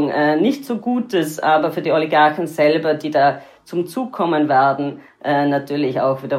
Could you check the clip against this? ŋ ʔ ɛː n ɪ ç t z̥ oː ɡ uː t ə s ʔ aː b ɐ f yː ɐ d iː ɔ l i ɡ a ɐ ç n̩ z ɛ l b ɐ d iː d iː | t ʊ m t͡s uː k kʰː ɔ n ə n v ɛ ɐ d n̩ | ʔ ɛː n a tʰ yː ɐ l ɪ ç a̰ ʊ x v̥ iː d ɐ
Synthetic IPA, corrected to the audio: ŋ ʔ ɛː n ɪ ç t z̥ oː ɡ uː t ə s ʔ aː b ɐ f yː ɐ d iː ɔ l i ɡ a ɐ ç n̩ z ɛ l b ɐ d iː d aː | t͡s ʊ m t͡s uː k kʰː ɔ m ə n v ɛ ɐ d n̩ | ʔ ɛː n a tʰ yː ɐ l ɪ ç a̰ ʊ x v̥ iː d ɐ